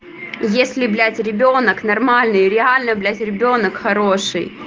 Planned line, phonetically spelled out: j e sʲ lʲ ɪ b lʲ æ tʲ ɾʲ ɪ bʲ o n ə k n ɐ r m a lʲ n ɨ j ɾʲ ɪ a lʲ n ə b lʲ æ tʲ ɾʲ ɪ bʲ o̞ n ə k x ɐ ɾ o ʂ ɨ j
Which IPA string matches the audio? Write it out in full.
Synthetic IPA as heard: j e sʲ lʲ ɪ b lʲ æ tʲ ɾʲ ɪ bʲ o n ə k n ɐ r m a lʲ n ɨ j ɾʲ ɪ a lʲ n ə b lʲ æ tʲ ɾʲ ɪ bʲ o̞ n ə k x ɐ ɾ o ʂ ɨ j